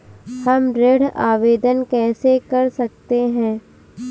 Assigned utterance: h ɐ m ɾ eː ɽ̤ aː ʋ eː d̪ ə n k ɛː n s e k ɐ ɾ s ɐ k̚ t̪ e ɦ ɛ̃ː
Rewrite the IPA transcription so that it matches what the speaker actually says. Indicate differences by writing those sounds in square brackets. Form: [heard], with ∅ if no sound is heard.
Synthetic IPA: h ɐ m ɾ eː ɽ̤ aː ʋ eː d̪ ə n k ɛː [∅] s e k ɐ ɾ s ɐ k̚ t̪ e ɦ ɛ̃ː